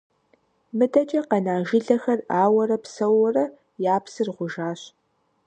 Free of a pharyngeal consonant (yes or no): yes